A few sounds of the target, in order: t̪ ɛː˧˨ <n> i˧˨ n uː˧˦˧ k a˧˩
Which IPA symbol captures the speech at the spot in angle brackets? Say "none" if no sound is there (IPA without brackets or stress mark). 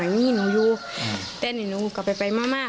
n